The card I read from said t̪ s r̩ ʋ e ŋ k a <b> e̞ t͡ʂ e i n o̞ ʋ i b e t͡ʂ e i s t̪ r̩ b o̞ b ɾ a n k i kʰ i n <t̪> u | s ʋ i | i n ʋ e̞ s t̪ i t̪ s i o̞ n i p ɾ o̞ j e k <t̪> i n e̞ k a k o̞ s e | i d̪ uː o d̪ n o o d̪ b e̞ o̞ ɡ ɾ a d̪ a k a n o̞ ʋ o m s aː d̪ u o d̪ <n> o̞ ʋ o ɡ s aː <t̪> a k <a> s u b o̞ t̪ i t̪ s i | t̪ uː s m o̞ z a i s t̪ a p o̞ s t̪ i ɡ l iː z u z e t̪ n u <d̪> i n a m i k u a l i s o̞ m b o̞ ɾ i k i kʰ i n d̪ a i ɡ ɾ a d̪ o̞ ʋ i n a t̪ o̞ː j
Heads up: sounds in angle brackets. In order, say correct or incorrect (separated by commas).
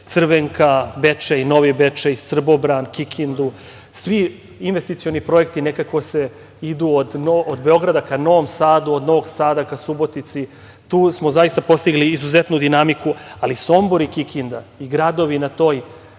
correct, incorrect, correct, correct, incorrect, correct, correct